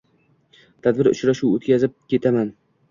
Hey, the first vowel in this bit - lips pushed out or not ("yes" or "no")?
no